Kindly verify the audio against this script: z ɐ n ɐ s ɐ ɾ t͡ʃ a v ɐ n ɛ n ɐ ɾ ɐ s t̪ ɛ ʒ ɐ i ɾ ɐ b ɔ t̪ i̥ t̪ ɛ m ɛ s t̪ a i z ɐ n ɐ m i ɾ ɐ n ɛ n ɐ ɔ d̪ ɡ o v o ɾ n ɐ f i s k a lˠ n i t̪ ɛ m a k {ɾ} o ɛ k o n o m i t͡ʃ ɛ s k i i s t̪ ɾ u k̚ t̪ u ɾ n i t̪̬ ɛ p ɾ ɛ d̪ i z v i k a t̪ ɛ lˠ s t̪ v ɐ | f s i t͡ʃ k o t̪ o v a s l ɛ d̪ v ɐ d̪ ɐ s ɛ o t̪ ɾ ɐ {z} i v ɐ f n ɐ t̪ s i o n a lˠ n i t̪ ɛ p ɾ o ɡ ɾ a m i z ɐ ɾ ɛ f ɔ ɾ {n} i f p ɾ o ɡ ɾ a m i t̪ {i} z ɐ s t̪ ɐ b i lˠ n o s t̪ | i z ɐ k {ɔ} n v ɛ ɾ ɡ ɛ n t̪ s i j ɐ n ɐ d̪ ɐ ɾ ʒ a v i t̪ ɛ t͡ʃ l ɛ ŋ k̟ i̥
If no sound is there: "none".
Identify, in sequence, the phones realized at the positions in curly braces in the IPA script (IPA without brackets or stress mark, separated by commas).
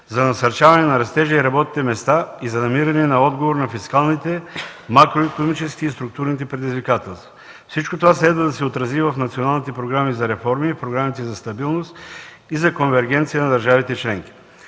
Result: ɾ, z, m, ɛ, o